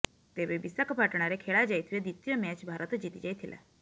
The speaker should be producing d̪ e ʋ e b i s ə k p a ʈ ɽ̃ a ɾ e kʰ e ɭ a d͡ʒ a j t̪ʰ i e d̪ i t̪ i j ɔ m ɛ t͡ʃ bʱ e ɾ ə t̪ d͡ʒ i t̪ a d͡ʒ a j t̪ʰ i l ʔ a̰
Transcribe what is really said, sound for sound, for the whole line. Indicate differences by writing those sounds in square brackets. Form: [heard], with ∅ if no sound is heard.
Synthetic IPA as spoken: [t̪] e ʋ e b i s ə k p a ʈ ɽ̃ a ɾ e kʰ e ɭ a d͡ʒ a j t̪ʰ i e d̪ i t̪ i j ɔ m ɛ t͡ʃ bʱ [a] ɾ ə t̪ d͡ʒ i t̪ [i] d͡ʒ a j t̪ʰ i l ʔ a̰